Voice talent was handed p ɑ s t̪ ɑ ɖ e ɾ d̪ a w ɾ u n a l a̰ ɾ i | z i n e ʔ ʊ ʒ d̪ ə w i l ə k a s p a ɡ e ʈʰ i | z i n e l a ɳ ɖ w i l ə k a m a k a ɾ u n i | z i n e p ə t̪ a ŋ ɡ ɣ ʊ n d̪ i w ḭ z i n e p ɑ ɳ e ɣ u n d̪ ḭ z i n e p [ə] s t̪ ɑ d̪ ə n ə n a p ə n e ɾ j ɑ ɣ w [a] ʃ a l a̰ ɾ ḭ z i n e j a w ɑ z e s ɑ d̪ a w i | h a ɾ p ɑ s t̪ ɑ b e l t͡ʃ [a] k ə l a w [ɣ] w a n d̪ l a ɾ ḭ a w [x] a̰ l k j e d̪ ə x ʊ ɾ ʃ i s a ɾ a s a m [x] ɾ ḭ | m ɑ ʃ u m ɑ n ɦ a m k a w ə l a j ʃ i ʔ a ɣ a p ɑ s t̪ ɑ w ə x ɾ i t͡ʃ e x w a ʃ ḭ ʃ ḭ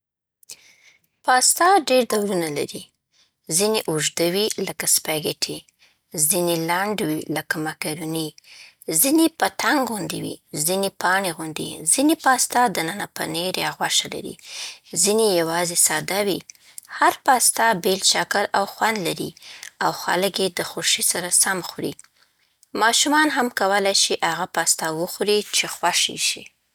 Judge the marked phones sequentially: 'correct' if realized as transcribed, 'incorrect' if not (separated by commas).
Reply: incorrect, correct, correct, incorrect, correct, correct